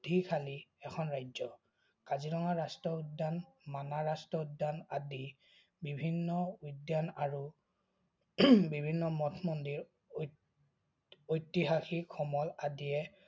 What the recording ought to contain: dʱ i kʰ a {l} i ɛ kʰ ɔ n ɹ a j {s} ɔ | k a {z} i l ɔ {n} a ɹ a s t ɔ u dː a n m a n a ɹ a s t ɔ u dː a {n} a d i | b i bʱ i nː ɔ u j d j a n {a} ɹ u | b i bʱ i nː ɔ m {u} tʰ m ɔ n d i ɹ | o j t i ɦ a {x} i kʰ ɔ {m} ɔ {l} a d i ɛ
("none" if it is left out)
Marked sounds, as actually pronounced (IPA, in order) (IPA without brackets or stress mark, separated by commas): l, z, z, ŋ, n, a, ɔ, x, m, l